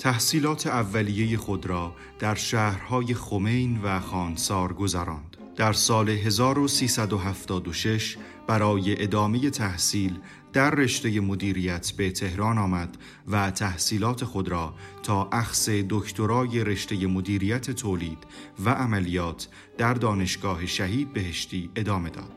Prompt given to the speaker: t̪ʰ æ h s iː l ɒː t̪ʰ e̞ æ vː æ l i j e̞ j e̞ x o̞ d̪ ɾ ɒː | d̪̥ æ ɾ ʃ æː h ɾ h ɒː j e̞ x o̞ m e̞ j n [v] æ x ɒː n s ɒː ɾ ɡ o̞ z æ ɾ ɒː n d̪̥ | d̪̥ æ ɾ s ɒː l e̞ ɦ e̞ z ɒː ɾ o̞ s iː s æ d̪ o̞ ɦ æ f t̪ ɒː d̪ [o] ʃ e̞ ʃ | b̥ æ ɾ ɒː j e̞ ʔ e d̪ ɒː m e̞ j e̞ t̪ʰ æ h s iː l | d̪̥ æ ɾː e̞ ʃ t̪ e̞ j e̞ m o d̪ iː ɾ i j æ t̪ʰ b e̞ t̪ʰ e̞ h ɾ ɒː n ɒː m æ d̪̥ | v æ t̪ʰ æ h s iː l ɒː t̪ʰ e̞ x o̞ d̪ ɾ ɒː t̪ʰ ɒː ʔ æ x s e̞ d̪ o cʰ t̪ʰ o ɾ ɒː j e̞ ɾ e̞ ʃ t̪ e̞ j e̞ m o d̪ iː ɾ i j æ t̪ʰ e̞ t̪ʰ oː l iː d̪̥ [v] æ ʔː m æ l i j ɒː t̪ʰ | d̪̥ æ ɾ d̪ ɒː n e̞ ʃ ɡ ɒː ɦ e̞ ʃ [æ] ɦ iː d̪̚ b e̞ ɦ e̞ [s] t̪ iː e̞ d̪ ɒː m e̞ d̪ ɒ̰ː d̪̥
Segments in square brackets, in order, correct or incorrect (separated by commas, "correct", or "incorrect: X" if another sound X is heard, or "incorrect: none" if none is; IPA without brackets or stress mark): correct, correct, correct, correct, incorrect: ʃ